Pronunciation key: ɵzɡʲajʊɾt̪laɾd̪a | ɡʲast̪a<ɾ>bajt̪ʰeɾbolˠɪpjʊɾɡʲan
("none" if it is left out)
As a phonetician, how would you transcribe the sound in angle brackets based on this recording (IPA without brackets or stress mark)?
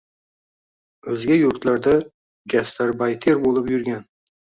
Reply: ɾ